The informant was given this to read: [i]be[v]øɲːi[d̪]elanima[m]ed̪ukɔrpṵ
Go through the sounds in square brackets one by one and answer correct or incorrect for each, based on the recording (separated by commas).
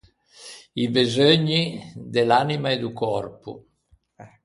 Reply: correct, incorrect, correct, incorrect